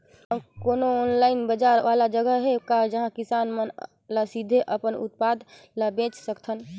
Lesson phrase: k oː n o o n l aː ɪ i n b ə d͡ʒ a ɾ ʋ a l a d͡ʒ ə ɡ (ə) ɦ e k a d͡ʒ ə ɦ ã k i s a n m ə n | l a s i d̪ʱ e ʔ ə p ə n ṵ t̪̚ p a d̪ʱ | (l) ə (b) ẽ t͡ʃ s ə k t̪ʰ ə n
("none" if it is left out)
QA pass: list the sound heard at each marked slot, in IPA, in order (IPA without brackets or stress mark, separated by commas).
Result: ə, l, b